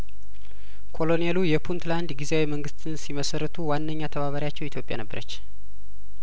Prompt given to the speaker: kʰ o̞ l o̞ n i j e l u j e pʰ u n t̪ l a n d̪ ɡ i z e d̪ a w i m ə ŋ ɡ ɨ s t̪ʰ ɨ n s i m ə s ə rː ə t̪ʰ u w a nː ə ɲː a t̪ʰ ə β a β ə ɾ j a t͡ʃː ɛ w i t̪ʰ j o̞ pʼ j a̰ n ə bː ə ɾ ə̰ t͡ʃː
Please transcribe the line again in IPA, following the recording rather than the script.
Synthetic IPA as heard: kʰ o̞ l o̞ n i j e l u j ɛ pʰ u n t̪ l a n d̪ ɡ i z e a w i m ə ŋ ɡ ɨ s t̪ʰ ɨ n s i m ə s ə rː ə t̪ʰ u w a nː ə ɲː a t̪ʰ ə β a β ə ɾ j a t͡ʃː ɛ w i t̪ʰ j o̞ pʼ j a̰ n ə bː ə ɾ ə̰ t͡ʃː